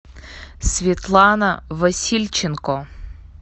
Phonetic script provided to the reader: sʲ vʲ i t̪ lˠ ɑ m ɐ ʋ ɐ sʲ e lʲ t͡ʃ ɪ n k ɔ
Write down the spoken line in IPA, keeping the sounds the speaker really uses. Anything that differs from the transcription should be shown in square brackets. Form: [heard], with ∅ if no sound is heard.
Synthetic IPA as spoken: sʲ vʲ i t̪ lˠ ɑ [n] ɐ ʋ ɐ sʲ [i] lʲ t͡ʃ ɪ n k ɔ